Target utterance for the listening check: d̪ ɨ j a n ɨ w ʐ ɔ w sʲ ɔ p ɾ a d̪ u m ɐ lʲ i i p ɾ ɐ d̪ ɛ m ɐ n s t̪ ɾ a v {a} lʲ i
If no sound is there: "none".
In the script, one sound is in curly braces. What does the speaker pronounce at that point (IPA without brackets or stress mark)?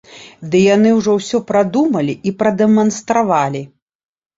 a